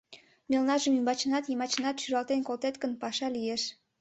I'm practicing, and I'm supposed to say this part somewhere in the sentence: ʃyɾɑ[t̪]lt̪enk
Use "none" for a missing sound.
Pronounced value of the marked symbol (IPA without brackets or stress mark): none